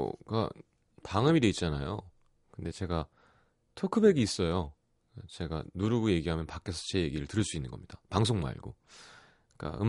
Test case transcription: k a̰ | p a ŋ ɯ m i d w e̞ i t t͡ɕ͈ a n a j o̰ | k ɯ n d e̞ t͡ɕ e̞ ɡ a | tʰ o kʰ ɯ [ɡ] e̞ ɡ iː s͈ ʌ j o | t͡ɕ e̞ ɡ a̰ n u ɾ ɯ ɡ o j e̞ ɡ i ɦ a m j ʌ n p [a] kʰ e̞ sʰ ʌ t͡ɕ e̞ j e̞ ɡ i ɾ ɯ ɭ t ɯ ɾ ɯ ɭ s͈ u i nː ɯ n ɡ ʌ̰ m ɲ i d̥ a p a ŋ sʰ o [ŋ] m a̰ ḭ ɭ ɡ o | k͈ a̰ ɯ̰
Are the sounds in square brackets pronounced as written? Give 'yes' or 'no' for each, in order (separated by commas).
no, yes, yes